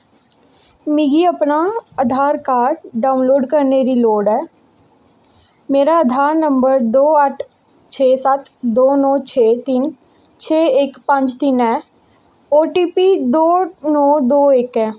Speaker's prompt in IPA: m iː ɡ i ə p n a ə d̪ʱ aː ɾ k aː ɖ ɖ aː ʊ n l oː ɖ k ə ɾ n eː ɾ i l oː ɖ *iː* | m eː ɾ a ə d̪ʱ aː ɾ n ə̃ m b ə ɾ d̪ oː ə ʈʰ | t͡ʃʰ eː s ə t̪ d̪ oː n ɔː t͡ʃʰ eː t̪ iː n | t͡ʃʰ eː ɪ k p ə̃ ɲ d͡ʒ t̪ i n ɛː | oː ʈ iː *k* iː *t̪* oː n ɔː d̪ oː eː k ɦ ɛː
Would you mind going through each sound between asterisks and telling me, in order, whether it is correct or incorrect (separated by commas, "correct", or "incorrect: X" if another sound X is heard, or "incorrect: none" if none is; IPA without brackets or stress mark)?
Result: incorrect: ɛː, incorrect: p, incorrect: d̪